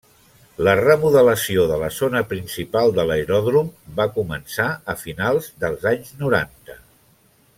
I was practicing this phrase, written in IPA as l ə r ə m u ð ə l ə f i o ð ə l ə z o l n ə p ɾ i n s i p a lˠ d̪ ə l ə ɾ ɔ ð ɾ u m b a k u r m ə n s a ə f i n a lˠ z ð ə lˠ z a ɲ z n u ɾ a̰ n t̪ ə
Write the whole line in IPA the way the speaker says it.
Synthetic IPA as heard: l ə r ə m u ð ə l ə s i o ð ə l ə z o n ə p ɾ i n s i p a lˠ d̪ ə l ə ɾ ɔ ð ɾ u m b a k u m ə n s a ə f i n a lˠ z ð ə lˠ z a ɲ z n u ɾ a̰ n t̪ ə